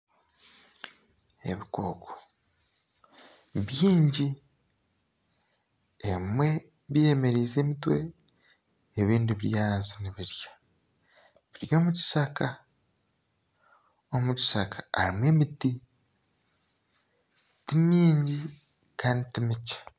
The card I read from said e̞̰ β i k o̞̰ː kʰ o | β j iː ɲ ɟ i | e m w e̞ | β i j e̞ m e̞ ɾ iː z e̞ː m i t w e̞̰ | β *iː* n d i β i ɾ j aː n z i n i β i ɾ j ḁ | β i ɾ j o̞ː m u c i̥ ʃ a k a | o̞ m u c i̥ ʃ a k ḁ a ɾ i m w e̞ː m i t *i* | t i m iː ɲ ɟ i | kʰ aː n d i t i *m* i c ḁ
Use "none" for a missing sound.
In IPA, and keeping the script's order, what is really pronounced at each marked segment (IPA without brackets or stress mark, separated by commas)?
iː, i, m